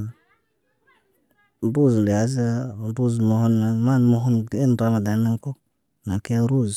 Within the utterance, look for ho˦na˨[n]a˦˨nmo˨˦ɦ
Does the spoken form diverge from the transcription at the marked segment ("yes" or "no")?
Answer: yes